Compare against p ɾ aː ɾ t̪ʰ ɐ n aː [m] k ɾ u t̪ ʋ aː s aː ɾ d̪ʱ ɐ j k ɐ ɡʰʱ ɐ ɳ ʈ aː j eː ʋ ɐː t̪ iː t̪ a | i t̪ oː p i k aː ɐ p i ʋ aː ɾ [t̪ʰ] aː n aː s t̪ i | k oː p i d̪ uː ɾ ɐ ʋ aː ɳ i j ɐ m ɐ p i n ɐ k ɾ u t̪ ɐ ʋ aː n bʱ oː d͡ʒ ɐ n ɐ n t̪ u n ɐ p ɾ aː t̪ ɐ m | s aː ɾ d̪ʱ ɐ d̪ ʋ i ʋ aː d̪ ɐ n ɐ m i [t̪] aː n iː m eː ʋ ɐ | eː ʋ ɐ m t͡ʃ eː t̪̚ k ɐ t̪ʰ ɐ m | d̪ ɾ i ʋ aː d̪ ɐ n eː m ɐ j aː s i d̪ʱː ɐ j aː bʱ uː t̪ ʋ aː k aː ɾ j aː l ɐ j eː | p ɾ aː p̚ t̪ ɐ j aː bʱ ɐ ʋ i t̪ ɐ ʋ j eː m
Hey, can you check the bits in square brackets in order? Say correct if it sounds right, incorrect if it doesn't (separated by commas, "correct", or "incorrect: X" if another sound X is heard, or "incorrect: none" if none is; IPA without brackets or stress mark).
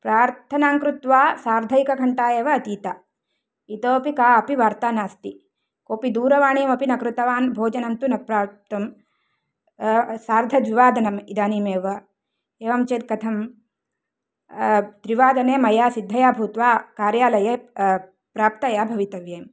incorrect: ŋ, incorrect: t̪, incorrect: d̪